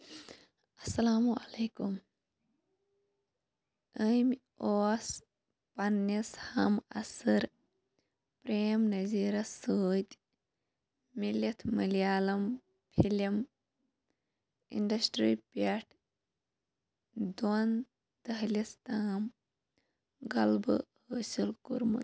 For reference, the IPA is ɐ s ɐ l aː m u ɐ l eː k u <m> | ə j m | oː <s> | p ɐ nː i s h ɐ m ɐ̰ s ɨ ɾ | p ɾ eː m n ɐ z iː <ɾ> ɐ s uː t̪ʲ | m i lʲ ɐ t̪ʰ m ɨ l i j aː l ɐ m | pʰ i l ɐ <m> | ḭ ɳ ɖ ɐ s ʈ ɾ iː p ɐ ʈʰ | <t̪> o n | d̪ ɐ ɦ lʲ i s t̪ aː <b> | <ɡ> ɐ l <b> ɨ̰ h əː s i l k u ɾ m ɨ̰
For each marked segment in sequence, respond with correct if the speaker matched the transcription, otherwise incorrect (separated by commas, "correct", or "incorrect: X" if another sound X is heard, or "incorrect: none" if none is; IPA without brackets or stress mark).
correct, correct, correct, correct, incorrect: d̪, incorrect: m, correct, correct